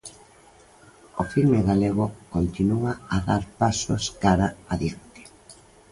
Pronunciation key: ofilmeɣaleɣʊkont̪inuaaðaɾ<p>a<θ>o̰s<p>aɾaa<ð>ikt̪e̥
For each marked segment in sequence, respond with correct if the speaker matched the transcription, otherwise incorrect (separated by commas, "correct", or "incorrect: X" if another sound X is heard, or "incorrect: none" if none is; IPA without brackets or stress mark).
correct, incorrect: s, incorrect: k, correct